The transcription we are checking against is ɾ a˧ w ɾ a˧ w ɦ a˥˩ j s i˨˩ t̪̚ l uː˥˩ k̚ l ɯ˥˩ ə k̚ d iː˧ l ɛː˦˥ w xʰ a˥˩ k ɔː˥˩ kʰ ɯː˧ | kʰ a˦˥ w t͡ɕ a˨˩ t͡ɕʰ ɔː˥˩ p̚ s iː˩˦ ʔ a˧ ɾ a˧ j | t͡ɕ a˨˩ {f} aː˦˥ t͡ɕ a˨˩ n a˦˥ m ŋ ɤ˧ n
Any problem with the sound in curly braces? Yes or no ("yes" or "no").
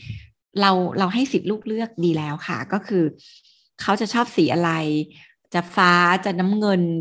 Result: no